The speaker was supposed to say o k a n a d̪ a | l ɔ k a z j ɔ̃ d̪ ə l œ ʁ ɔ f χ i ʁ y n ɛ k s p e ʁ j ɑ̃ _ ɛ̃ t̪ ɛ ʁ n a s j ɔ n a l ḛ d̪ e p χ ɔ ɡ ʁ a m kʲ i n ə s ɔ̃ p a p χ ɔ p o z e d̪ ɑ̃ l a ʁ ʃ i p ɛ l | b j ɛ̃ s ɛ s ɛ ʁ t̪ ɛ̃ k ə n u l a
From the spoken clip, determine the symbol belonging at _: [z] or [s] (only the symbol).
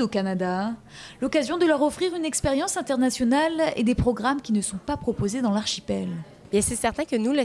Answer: s